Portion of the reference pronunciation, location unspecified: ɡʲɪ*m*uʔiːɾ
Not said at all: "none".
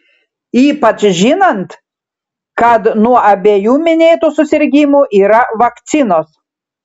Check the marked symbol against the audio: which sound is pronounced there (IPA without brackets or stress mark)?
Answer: m